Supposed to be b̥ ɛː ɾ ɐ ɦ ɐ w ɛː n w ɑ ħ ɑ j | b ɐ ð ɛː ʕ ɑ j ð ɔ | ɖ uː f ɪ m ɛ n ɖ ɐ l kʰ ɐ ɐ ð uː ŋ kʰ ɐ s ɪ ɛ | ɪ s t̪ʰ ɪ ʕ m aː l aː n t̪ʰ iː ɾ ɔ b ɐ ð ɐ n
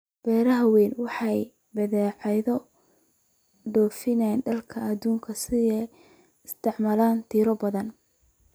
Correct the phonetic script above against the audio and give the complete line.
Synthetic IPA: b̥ ɛː ɾ ɐ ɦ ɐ w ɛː n w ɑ ħ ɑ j | b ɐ ð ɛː ʕ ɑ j ð ɔ | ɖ ɔː f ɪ n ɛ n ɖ ɐ l kʰ ɐ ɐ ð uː ŋ kʰ ɐ s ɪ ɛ | ɪ s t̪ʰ ɪ ʕ m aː l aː n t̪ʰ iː ɾ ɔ b ɐ ð ɐ n